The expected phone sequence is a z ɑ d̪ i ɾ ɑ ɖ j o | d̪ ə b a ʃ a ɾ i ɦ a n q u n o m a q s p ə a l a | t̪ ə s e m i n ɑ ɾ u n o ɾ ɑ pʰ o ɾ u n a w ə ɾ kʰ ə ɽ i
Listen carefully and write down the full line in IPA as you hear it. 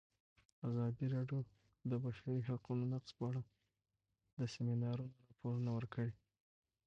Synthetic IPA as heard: a z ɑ d̪ i ɾ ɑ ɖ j o | d̪ ə b a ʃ a ɾ i ɦ a q u n o n a q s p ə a ɽ a | d̪ ə s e m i n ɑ ɾ u n o ɾ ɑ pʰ o ɾ u n a w ə ɾ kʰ ə ɽ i